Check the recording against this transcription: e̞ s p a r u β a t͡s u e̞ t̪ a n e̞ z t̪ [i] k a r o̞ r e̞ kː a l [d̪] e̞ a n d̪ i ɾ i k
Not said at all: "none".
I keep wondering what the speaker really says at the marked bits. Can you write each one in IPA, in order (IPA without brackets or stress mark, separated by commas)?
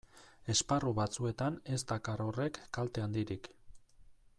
a, t̪